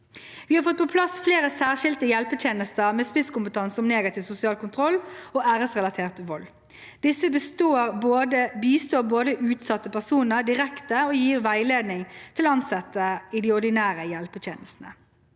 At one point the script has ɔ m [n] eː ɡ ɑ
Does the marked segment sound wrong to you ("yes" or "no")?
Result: no